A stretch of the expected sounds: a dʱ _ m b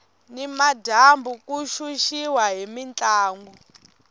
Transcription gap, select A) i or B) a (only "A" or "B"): B